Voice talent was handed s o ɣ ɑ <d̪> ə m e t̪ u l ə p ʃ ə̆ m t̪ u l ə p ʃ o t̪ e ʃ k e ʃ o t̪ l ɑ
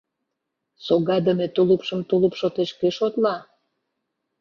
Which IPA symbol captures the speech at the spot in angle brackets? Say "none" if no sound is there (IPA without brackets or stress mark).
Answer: d̪